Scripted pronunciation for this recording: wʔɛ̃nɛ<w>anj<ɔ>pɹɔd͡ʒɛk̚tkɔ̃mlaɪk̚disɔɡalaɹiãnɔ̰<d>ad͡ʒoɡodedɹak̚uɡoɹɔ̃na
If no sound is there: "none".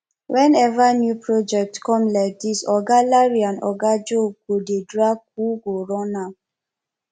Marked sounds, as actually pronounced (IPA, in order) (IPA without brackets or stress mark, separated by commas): v, u, ɡ